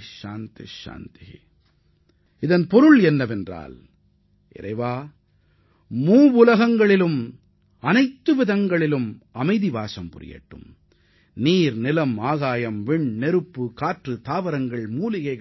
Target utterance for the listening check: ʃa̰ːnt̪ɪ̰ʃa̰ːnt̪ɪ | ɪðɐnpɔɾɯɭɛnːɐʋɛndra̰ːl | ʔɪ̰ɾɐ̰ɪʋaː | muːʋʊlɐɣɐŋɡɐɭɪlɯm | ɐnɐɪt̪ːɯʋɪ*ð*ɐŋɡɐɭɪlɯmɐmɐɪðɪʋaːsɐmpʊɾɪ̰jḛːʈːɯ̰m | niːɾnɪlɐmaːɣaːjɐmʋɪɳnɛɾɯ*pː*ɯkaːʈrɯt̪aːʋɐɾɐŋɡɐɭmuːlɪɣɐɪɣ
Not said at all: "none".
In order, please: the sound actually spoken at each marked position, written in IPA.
ð, pː

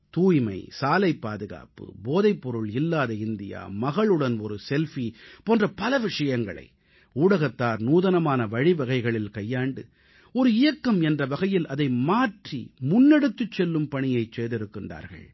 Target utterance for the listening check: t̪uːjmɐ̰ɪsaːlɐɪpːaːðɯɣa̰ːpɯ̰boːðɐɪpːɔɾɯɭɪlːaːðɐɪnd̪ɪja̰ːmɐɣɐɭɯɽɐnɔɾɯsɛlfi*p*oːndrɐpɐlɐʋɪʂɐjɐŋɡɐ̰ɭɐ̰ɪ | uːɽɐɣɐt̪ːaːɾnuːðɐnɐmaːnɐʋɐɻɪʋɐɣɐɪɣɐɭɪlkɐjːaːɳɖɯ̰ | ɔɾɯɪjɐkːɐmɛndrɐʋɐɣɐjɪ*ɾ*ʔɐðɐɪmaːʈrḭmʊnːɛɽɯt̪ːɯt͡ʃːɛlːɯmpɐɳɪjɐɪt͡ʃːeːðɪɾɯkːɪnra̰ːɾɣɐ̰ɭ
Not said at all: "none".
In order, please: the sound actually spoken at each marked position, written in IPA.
p, l

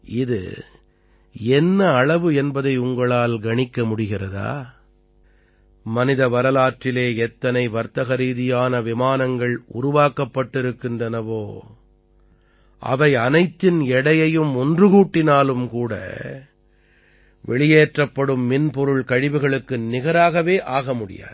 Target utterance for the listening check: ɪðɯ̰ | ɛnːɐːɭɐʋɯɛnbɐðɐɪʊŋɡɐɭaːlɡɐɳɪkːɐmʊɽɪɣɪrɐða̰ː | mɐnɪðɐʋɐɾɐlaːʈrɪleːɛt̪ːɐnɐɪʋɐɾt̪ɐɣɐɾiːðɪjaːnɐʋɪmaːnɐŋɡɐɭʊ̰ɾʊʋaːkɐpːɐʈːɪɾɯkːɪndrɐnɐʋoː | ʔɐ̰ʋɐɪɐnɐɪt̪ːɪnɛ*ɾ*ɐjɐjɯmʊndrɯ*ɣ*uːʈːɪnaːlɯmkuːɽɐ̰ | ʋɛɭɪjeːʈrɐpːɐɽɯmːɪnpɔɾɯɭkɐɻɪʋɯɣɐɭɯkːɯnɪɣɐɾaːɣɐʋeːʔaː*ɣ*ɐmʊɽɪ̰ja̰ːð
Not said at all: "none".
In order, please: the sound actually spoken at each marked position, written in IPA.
ɽ, ɣ, ɣ

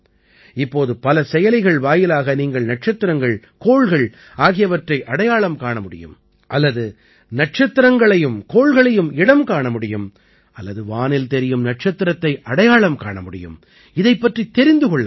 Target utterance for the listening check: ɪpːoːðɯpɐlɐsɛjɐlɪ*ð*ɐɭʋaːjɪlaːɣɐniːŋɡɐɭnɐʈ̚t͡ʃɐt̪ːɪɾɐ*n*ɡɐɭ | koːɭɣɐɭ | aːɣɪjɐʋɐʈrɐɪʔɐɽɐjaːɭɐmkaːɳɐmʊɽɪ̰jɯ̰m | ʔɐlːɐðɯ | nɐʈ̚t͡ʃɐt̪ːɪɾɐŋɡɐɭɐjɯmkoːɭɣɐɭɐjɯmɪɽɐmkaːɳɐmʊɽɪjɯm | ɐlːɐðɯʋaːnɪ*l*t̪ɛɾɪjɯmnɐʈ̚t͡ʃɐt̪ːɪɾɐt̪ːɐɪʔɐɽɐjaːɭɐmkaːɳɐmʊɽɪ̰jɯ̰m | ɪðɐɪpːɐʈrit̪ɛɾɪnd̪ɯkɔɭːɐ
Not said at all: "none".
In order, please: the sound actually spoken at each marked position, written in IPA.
ɣ, ŋ, l

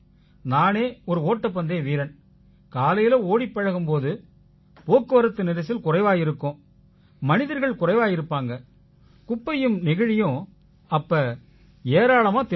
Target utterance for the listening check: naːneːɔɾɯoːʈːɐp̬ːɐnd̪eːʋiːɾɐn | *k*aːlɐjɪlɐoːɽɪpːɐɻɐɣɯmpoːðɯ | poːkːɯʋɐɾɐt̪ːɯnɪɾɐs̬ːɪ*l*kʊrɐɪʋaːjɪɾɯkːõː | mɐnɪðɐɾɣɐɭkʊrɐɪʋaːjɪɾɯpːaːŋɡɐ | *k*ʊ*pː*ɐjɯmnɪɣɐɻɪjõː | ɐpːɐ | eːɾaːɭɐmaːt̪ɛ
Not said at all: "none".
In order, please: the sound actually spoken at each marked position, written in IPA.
k, l, k, pː

